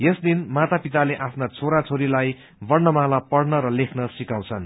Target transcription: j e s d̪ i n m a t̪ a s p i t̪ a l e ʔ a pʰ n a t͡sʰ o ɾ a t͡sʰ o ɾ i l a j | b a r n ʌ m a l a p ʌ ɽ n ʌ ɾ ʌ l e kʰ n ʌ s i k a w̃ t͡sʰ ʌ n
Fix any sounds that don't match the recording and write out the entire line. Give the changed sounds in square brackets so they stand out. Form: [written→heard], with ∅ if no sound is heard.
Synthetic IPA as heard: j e s d̪ i n m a t̪ a [s→∅] p i t̪ a l e ʔ a pʰ n a t͡sʰ o ɾ a t͡sʰ o ɾ i l a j | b [a→ʌ] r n ʌ m a l a p ʌ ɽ n ʌ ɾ ʌ l e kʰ n ʌ s i k a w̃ t͡sʰ ʌ n